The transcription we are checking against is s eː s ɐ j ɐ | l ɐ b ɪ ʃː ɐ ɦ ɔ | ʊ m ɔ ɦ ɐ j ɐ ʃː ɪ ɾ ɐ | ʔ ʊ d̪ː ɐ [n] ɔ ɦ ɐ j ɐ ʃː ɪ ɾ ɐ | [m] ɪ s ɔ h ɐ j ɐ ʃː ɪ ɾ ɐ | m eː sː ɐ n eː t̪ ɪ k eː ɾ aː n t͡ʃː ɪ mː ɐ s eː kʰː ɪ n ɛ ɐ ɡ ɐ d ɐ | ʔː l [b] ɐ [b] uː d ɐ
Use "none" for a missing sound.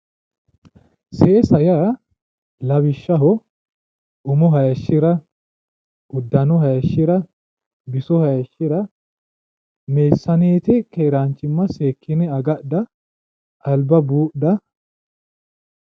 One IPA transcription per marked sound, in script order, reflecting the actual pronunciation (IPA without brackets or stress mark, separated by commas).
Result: n, b, b, b